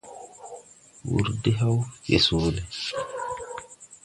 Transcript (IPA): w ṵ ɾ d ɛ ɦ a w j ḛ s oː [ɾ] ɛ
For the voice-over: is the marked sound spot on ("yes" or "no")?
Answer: no